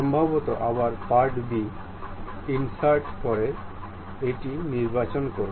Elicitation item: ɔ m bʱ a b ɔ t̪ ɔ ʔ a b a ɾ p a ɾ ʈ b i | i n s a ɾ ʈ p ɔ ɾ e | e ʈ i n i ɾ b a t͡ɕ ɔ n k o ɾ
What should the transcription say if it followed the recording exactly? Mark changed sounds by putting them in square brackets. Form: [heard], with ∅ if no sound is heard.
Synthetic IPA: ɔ m bʱ a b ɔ t̪ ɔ ʔ a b a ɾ p a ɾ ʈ b i | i n s a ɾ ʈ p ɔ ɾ e | e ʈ i n i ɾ b a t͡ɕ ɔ n k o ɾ

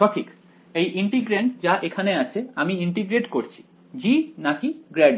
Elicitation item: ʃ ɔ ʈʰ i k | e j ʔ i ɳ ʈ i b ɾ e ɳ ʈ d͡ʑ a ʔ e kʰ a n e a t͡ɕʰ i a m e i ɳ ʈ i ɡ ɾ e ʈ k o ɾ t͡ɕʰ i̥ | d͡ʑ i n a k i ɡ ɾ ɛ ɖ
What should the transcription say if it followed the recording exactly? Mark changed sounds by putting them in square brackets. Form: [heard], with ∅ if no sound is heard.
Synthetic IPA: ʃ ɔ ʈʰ i k | e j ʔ i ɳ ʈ i [ɡ] ɾ e ɳ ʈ d͡ʑ a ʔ e kʰ a n e a t͡ɕʰ [e] a m [i] i ɳ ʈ i ɡ ɾ e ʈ k o ɾ t͡ɕʰ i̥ | d͡ʑ i n a k i ɡ ɾ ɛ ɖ

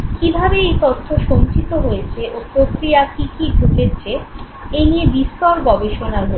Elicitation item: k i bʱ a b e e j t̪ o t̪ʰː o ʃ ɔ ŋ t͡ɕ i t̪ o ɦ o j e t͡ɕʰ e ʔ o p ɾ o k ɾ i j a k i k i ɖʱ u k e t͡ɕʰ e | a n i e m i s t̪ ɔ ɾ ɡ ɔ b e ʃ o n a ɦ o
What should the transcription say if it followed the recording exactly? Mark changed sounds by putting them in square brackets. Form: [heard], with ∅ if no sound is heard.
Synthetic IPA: k i bʱ a b e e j t̪ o t̪ʰː o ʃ [o] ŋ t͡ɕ i t̪ o ɦ o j e t͡ɕʰ e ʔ o p ɾ o k ɾ i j a k i k i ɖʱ u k e t͡ɕʰ e | [e] n i e [b] i s t̪ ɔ ɾ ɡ ɔ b e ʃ o n a ɦ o

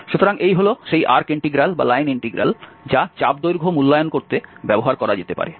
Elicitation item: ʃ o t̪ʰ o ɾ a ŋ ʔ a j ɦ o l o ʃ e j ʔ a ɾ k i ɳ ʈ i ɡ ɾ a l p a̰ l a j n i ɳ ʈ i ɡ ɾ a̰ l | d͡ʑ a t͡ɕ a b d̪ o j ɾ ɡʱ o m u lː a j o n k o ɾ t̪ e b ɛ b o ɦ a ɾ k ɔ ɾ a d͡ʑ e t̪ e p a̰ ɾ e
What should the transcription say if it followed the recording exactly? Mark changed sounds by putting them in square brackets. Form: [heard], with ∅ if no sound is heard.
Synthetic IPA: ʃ [u] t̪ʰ o ɾ a ŋ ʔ [e] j ɦ o l o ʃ e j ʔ a ɾ k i ɳ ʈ i ɡ ɾ a l [b] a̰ l a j n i ɳ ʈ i ɡ ɾ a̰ l | d͡ʑ a t͡ɕ a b d̪ o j ɾ ɡʱ o m u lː a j o n k o ɾ t̪ e b ɛ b o ɦ a ɾ k ɔ ɾ a d͡ʑ e t̪ e p a̰ ɾ e

